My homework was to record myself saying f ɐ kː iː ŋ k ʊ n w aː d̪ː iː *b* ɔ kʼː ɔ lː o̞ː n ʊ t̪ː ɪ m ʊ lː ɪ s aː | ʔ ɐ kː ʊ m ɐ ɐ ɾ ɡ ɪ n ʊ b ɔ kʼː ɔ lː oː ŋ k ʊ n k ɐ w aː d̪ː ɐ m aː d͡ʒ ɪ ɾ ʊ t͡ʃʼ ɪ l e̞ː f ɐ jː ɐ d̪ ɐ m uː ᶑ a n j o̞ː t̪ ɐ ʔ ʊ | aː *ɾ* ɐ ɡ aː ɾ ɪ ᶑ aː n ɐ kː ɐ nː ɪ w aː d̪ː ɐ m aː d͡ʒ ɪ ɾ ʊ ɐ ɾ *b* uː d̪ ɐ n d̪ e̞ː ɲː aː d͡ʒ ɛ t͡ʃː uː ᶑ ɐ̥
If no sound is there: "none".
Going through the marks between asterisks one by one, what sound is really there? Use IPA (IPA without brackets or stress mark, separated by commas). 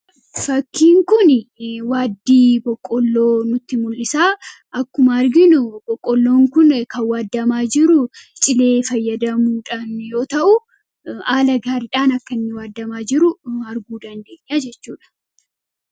b, l, ɡ